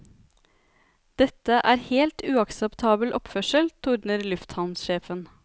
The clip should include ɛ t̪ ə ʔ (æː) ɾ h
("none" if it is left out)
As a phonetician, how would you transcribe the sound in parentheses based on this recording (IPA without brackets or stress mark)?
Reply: æː